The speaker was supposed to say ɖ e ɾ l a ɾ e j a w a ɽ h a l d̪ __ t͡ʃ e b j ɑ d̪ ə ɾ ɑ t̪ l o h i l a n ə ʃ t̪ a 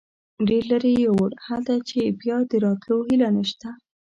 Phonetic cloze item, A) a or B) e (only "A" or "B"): A